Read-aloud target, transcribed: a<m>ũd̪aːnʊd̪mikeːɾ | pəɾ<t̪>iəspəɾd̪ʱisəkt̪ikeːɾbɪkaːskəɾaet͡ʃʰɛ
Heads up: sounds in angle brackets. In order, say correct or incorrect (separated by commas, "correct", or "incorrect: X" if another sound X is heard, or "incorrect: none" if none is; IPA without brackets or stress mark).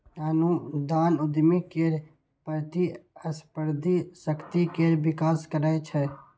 incorrect: n, correct